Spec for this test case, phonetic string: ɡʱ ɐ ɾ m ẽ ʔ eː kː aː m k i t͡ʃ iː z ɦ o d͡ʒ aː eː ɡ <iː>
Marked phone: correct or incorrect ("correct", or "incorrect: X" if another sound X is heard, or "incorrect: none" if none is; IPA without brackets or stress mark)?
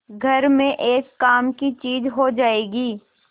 correct